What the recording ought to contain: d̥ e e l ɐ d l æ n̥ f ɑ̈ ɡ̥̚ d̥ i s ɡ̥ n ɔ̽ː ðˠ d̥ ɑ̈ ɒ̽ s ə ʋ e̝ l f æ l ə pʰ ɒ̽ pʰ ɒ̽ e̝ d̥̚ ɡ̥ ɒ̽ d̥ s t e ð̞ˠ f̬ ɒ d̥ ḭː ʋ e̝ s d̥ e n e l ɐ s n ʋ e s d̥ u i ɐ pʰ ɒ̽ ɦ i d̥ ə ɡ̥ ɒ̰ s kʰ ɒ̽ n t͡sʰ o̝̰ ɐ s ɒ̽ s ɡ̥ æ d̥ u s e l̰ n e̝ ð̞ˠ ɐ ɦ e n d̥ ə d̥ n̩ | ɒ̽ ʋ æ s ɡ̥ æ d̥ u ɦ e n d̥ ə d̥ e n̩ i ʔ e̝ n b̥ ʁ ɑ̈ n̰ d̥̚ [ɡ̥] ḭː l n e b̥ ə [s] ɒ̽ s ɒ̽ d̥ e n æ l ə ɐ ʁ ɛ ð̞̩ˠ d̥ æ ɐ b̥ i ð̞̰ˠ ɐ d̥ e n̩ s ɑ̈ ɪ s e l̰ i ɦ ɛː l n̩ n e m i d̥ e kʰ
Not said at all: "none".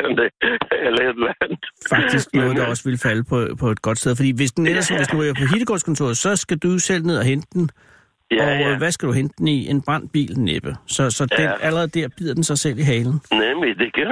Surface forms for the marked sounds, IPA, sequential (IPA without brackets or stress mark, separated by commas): b̥, s